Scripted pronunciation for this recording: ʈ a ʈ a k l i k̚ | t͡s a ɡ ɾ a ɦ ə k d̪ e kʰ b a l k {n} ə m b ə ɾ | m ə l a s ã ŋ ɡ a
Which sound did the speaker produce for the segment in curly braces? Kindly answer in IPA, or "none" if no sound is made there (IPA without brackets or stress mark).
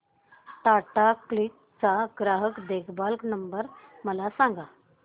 n